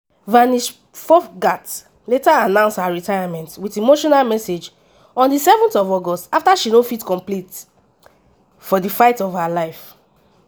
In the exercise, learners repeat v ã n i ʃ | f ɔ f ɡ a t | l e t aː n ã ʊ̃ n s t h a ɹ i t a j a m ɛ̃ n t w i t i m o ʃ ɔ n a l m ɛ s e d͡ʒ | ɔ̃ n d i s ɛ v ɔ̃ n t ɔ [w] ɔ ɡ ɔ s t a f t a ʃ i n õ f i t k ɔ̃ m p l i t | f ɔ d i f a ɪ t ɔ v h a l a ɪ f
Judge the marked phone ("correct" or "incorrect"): incorrect